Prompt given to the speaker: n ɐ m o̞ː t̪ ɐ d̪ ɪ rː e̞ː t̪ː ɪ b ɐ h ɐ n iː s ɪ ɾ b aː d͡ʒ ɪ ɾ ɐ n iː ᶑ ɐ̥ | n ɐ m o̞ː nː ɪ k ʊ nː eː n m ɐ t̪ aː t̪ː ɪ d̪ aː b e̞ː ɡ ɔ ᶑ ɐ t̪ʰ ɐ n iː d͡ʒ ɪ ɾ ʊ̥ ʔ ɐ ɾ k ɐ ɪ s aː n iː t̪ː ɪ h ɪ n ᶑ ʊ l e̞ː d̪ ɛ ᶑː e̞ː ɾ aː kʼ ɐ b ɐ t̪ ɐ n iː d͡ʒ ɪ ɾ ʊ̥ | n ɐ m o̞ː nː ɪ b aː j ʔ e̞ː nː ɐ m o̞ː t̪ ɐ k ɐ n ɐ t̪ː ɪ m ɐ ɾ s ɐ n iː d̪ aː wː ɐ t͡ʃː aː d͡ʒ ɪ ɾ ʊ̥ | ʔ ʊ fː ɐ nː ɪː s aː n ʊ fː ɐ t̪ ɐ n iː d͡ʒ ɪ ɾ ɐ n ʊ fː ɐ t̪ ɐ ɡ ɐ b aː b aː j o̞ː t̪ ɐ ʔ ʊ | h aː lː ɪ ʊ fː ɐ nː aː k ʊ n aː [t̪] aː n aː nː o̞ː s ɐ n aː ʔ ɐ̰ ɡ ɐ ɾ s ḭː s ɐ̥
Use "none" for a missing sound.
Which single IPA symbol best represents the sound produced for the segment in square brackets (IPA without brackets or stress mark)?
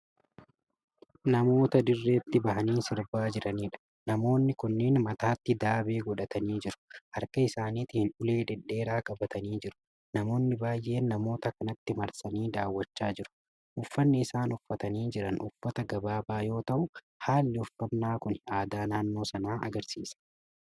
d̪